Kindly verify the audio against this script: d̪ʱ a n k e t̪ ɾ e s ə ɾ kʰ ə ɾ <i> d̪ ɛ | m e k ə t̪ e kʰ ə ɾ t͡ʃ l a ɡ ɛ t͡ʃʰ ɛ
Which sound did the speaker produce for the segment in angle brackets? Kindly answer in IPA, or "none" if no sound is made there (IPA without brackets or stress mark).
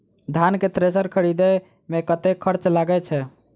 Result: i